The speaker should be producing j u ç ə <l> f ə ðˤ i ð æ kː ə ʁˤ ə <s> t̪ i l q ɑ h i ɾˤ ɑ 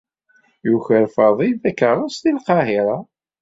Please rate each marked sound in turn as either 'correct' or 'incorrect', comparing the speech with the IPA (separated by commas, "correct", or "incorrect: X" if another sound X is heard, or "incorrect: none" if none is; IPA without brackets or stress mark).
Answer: incorrect: ɾ, correct